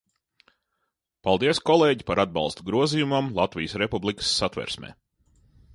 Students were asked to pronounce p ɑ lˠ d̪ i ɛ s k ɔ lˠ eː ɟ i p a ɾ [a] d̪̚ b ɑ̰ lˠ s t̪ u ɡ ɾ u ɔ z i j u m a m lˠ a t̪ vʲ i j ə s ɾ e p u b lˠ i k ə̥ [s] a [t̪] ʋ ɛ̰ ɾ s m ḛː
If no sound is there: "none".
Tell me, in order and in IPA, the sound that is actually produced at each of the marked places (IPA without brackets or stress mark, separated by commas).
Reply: a, sː, t̪